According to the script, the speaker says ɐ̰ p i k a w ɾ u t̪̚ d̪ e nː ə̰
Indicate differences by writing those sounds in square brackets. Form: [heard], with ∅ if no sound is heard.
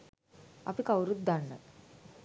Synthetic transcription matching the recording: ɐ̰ p i k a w ɾ u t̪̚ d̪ [a] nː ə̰